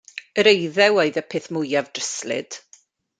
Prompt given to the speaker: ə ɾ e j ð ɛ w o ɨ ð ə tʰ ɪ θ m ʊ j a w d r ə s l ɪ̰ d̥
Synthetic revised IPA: ə ɾ e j ð ɛ w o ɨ ð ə pʰ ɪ θ m ʊ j a v d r ə s l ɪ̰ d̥